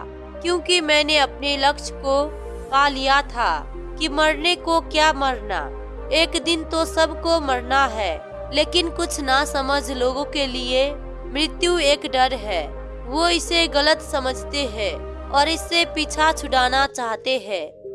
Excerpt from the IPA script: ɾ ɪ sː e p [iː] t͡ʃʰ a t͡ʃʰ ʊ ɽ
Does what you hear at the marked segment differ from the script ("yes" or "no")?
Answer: no